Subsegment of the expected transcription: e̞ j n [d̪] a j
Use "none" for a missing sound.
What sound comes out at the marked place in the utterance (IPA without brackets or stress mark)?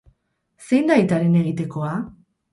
d̪